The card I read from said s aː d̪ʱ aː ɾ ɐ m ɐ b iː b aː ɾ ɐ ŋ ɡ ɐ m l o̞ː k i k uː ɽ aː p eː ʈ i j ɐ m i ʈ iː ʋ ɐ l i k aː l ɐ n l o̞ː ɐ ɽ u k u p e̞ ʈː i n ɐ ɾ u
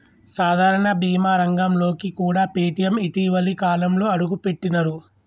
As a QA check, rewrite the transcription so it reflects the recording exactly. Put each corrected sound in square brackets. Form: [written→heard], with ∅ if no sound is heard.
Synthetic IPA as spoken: s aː d̪ʱ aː ɾ ɐ [m→ɳ] ɐ b iː [b→m] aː ɾ ɐ ŋ ɡ ɐ m l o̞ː k i k uː ɽ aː p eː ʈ i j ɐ m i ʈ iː ʋ ɐ l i k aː l ɐ [n→m] l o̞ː ɐ ɽ u [k→ɡ] u p e̞ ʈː i n ɐ ɾ u

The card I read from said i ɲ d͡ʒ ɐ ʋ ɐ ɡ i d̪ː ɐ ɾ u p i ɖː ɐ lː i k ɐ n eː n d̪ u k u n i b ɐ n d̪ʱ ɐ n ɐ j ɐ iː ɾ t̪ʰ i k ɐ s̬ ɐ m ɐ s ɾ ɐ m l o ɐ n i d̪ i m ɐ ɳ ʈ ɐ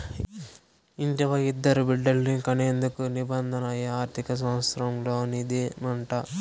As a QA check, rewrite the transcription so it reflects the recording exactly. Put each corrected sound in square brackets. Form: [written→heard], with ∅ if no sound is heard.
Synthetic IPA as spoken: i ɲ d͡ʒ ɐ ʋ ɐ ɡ i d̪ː ɐ ɾ u [p→b] i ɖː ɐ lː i k ɐ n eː n d̪ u k u n i b ɐ n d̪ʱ ɐ n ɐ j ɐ [iː→aː] ɾ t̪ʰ i k ɐ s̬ ɐ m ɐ s ɾ ɐ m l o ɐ n i d̪ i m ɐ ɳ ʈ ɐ

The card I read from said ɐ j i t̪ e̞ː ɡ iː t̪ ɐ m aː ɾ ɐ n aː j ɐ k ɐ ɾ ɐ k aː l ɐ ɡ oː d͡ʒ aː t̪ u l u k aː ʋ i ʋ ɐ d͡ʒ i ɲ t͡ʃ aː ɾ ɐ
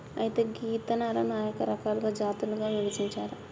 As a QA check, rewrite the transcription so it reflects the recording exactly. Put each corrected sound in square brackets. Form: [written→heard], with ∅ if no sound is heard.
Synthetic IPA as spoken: ɐ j i t̪ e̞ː ɡ iː t̪ ɐ [m→n] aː ɾ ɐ n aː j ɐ k ɐ ɾ ɐ k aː l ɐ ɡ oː d͡ʒ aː t̪ u l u [k→ɡ] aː ʋ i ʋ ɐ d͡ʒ i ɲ t͡ʃ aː ɾ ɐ

